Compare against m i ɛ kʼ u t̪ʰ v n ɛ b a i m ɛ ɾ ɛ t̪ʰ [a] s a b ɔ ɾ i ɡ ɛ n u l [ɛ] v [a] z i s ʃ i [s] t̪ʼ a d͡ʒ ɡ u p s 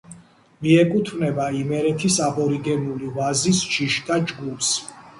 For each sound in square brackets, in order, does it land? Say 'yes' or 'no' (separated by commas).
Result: no, no, yes, no